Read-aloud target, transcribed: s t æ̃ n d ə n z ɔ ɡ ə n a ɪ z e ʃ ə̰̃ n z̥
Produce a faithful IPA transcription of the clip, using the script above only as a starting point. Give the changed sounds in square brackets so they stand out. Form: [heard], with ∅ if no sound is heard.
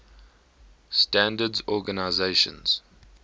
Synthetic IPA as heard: s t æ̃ n d ə [d] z ɔ ɡ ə n a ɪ z e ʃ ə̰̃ n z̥